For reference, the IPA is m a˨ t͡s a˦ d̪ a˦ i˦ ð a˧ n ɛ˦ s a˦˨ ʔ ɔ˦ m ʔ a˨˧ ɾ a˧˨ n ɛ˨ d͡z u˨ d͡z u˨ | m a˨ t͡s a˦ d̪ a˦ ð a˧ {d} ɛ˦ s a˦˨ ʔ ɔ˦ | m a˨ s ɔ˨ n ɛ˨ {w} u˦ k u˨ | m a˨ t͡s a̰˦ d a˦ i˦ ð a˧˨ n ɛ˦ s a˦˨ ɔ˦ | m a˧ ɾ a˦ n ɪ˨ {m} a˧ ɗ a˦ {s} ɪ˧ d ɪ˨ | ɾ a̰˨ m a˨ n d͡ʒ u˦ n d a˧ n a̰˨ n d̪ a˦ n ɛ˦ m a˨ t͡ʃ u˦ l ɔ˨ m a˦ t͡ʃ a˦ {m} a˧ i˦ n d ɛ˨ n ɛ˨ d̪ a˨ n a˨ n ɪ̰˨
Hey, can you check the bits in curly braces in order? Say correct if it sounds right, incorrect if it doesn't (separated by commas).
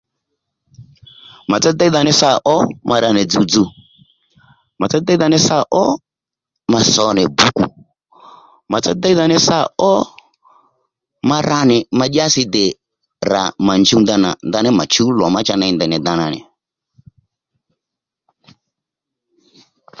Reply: incorrect, incorrect, correct, correct, incorrect